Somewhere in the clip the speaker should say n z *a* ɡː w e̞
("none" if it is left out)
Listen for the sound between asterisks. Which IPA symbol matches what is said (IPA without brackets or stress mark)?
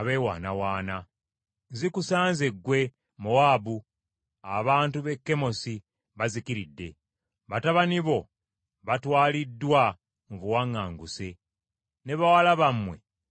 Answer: e